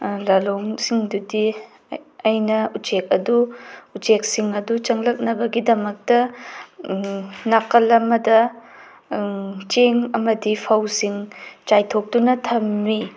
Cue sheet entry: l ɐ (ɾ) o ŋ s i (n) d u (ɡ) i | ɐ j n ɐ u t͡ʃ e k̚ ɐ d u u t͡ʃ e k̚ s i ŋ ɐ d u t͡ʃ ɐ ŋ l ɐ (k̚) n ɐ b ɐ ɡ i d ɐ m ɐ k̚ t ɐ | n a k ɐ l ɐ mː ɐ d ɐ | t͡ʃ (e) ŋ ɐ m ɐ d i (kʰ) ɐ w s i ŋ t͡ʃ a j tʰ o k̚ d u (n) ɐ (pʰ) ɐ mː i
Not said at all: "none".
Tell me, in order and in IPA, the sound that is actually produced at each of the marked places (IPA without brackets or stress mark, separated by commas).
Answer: l, ŋ, d, k̚, e, pʰ, n, tʰ